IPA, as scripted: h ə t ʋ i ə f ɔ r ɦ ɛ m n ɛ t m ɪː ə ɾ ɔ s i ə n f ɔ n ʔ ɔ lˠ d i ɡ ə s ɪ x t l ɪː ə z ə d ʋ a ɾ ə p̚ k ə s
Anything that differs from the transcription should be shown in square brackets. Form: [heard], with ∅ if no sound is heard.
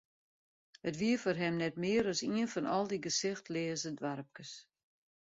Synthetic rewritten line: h ə t ʋ i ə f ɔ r ɦ ɛ m n ɛ t m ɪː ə ɾ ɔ s i ə n f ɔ n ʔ ɔ lˠ d i ɡ ə s ɪ x t l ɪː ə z ə d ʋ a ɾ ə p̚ k ə s